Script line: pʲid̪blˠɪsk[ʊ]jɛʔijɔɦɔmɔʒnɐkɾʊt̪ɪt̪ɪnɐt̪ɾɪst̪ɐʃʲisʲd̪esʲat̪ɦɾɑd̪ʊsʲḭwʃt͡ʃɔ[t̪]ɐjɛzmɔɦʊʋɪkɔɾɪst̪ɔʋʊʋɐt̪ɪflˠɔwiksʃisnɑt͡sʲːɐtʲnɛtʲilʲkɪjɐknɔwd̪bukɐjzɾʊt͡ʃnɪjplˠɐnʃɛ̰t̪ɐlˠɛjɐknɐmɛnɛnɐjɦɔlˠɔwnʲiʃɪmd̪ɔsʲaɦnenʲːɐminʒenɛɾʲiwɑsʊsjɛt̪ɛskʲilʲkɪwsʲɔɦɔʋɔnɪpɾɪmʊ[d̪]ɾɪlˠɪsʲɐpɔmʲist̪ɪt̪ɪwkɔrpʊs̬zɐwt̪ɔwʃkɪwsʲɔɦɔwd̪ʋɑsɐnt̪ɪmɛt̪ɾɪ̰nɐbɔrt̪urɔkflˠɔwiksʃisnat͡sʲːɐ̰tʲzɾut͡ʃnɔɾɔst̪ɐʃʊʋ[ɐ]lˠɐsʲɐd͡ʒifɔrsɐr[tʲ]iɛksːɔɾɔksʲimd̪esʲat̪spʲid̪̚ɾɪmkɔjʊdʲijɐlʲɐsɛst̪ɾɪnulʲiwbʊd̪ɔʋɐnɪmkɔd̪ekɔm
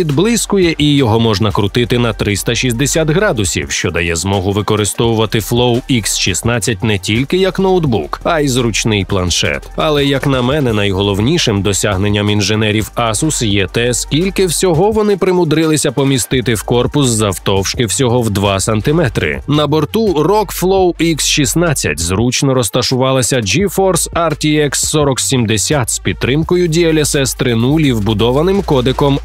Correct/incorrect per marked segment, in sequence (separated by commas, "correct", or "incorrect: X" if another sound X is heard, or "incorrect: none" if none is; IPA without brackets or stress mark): correct, incorrect: d̪, correct, incorrect: ɑ, correct